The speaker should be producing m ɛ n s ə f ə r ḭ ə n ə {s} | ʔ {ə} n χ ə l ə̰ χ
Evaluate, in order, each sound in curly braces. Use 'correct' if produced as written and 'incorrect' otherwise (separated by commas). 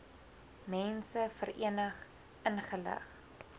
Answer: incorrect, correct